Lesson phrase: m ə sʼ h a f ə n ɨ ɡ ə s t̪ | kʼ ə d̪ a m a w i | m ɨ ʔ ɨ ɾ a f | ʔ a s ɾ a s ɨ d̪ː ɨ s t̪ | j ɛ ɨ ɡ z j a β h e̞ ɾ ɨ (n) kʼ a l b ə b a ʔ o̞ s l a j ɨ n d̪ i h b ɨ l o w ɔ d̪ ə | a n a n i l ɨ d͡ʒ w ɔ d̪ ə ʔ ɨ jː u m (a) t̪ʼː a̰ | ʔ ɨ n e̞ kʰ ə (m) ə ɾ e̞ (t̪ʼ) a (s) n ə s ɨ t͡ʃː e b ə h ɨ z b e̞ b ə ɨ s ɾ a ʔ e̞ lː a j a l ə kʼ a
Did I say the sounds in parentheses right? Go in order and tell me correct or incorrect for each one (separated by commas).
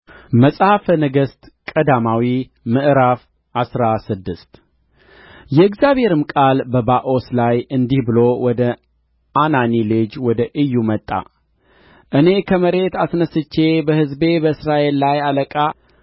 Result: incorrect, incorrect, correct, incorrect, correct